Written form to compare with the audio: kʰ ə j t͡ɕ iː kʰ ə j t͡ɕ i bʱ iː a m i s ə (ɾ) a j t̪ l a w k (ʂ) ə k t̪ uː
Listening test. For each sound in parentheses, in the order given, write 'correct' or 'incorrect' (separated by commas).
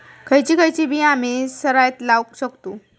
correct, incorrect